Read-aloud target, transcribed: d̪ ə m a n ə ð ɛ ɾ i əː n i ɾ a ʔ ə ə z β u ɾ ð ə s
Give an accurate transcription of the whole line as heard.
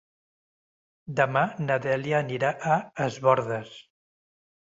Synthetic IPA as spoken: d̪ ə m a n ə ð ɛ l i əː n i ɾ a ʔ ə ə z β ɔ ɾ ð ə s